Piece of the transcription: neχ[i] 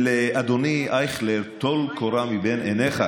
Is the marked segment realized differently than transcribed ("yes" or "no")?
yes